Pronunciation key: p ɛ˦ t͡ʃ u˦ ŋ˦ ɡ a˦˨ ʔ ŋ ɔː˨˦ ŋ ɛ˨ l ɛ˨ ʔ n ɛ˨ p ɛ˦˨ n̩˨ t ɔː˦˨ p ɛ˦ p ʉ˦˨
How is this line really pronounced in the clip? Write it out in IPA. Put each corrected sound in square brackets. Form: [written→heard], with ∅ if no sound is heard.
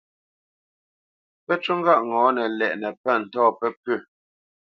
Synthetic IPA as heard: p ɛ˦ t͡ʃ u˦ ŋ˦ ɡ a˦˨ ʔ ŋ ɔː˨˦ [ŋ→n] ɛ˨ l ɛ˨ ʔ n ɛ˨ p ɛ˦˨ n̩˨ t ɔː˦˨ p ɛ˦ p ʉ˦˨